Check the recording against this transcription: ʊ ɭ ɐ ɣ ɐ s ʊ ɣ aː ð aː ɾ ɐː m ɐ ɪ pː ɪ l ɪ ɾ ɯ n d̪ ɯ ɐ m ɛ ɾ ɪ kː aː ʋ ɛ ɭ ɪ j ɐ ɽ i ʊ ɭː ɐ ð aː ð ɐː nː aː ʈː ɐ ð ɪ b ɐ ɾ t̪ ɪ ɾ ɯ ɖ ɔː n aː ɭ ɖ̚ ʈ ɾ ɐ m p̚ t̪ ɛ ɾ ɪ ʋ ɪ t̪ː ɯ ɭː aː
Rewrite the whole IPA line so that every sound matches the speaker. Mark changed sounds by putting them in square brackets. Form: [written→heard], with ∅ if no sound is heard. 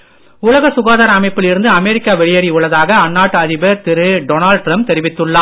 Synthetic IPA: ʊ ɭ ɐ ɣ ɐ s ʊ ɣ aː ð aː ɾ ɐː m ɐ ɪ pː ɪ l ɪ ɾ ɯ n d̪ ɯ ɐ m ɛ ɾ ɪ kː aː ʋ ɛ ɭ ɪ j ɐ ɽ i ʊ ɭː ɐ ð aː [ð→ɣ] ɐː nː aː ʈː ɐ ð ɪ b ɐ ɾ t̪ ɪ ɾ ɯ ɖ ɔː n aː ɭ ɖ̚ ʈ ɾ ɐ m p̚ t̪ ɛ ɾ ɪ ʋ ɪ t̪ː ɯ ɭː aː

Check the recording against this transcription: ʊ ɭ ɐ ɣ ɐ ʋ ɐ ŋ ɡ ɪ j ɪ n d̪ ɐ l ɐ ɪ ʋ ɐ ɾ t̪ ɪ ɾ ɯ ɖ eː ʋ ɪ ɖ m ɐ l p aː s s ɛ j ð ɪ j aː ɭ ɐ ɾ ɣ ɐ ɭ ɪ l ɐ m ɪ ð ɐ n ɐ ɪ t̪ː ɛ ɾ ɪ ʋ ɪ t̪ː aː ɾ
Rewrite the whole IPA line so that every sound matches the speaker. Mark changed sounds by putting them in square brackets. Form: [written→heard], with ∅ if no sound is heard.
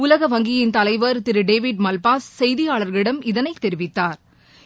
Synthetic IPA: ʊ [ɭ→l] ɐ ɣ ɐ ʋ ɐ ŋ ɡ ɪ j ɪ n [d̪→t̪] ɐ l ɐ ɪ ʋ ɐ ɾ t̪ ɪ ɾ ɯ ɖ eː ʋ ɪ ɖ m ɐ l p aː s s ɛ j ð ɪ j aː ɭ ɐ ɾ ɣ ɐ ɭ ɪ [l→ɽ] ɐ m ɪ ð ɐ n ɐ ɪ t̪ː ɛ ɾ ɪ ʋ ɪ t̪ː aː ɾ

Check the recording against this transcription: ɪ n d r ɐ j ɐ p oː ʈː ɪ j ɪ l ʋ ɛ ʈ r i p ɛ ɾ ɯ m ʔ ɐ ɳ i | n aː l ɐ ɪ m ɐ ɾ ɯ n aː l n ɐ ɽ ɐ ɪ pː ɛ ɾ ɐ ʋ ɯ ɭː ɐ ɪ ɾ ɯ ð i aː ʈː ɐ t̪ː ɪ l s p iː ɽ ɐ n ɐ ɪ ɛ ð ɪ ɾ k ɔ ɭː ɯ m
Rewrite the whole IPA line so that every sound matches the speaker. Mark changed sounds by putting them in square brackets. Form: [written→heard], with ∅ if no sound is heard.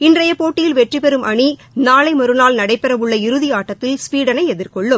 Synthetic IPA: ɪ n d r ɐ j ɐ p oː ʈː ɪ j ɪ l ʋ ɛ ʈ r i p ɛ ɾ ɯ m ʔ ɐ ɳ i | n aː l ɐ ɪ m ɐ ɾ ɯ n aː l n ɐ ɽ ɐ ɪ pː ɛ ɾ ɐ ʋ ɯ ɭː ɐ ɪ ɾ ɯ ð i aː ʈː ɐ t̪ː ɪ l s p iː ɽ ɐ n ɐ ɪ ɛ ð ɪ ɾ k ɔ ɭː ɯ m

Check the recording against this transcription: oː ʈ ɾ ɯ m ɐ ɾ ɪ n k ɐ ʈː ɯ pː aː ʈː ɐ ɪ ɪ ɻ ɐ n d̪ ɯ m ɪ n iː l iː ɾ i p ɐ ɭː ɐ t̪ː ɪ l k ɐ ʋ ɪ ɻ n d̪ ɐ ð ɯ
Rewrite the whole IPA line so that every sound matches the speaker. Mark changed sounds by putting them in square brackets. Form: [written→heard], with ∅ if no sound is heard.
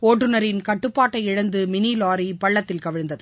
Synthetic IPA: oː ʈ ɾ ɯ [m→n] ɐ ɾ ɪ n k ɐ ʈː ɯ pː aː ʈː ɐ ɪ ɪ ɻ ɐ n d̪ ɯ m ɪ n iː l [iː→aː] ɾ i p ɐ ɭː ɐ t̪ː ɪ l k ɐ ʋ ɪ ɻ n d̪ ɐ ð ɯ

